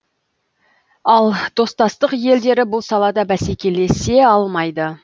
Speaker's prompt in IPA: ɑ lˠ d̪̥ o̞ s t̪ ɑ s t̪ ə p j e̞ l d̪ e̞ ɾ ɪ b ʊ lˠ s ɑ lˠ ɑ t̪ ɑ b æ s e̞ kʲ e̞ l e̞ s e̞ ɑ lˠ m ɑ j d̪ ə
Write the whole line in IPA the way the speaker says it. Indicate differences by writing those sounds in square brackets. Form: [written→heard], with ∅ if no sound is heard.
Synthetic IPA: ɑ lˠ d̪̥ o̞ s t̪ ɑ s t̪ ə [p→q] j e̞ l d̪ e̞ ɾ ɪ b ʊ lˠ s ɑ lˠ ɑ [t̪→d̪] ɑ b æ s e̞ kʲ e̞ l e̞ s e̞ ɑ lˠ m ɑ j d̪ ə